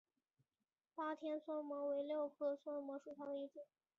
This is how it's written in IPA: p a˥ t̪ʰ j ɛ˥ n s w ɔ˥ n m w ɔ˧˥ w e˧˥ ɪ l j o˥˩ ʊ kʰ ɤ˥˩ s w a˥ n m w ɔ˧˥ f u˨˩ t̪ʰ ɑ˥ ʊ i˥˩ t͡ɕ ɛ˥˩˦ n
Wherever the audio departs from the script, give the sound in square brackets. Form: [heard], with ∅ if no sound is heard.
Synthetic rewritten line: p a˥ t̪ʰ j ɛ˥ n s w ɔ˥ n m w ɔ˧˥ w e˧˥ ɪ l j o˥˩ ʊ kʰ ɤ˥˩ s w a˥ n m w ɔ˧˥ [ʂ] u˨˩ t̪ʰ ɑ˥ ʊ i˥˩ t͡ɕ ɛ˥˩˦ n